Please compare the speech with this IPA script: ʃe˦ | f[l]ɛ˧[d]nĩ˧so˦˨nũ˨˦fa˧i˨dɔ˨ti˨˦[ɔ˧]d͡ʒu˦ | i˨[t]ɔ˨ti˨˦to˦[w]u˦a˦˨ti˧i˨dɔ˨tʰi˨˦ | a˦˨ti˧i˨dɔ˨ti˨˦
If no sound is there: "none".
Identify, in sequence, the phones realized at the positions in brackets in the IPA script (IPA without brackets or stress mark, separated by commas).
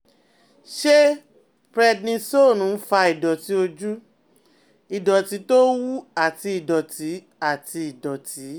ɾ, d, o˧, d, w